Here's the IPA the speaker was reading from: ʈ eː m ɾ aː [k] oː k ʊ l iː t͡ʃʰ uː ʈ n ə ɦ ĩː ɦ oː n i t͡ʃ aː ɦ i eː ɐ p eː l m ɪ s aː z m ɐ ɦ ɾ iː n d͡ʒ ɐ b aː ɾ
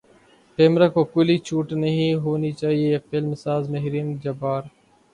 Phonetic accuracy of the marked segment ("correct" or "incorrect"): correct